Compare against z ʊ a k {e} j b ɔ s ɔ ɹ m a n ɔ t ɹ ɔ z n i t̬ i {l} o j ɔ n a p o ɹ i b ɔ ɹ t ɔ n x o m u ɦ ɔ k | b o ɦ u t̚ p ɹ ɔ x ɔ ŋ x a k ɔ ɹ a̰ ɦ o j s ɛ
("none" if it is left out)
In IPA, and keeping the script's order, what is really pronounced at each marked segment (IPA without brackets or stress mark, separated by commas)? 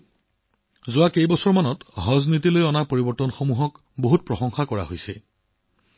e, l